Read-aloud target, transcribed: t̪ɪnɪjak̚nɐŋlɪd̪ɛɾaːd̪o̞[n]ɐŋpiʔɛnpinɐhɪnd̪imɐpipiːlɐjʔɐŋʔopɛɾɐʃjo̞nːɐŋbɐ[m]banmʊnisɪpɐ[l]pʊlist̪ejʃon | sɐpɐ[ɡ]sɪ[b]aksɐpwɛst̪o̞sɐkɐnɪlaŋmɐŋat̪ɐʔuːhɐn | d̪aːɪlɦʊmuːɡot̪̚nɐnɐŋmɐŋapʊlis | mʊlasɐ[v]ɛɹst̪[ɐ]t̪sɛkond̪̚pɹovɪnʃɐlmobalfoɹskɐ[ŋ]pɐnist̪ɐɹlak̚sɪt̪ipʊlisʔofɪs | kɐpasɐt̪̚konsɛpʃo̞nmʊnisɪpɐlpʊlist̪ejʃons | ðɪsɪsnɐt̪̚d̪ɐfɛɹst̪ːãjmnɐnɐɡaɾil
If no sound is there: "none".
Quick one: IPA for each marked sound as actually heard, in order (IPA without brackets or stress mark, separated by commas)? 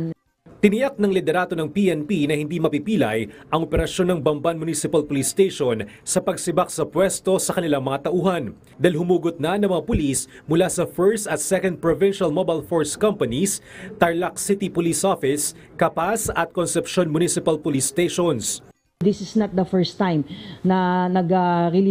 n, m, l, ɡ, b, f, ɐ, m